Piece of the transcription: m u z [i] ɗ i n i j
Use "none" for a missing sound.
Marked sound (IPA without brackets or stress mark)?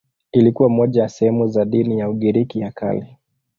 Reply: a